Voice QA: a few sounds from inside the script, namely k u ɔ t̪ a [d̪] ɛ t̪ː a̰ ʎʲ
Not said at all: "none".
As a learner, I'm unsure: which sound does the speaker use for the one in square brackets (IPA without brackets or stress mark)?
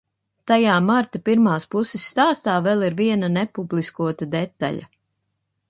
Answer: d̪